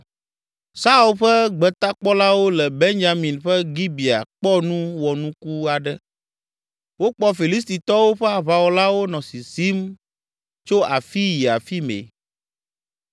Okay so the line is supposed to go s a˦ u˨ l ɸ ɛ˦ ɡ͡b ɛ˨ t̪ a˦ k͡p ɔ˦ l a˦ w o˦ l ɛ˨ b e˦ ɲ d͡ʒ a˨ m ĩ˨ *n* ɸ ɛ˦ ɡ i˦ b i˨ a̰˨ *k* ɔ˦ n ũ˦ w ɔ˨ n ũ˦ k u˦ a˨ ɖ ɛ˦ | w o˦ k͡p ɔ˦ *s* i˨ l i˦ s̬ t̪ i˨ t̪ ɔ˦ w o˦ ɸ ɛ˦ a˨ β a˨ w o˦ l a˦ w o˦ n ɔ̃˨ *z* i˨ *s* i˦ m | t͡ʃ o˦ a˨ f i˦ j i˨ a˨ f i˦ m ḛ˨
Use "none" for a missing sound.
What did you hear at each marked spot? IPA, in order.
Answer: n, k͡p, f, s, s

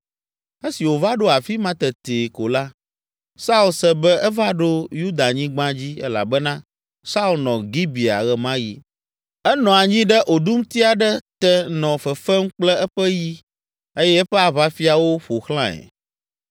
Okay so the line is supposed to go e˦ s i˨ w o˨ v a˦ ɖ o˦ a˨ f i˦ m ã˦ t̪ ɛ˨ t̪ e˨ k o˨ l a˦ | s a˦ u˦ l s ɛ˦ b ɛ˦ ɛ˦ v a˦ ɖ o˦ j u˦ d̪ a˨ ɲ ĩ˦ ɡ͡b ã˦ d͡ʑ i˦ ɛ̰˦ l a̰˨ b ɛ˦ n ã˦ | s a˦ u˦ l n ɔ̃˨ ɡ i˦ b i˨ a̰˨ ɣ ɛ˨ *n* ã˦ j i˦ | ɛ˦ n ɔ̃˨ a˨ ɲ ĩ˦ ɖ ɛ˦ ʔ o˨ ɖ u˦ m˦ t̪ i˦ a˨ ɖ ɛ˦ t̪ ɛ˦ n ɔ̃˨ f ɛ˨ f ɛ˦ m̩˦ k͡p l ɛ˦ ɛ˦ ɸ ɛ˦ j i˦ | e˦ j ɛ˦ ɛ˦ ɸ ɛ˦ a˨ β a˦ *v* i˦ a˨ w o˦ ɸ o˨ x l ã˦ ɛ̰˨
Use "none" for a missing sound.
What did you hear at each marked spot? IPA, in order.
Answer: m, f

